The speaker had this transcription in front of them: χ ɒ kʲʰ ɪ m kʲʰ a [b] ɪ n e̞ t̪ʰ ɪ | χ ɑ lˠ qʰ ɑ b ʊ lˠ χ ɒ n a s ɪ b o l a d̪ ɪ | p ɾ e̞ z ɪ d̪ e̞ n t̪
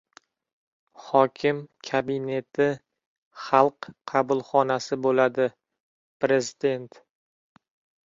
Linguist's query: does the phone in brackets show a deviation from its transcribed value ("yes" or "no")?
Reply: no